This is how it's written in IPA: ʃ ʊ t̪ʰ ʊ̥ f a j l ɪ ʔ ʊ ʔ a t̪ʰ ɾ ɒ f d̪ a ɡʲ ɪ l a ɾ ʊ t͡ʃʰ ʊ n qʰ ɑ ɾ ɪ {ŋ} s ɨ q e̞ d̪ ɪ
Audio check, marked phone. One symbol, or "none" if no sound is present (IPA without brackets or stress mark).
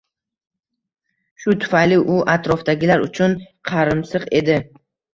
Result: m